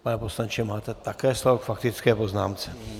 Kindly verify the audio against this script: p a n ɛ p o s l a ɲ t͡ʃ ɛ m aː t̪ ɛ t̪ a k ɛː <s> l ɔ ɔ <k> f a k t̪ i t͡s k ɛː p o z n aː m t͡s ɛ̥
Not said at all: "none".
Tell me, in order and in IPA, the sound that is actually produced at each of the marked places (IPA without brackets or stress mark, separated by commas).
s, k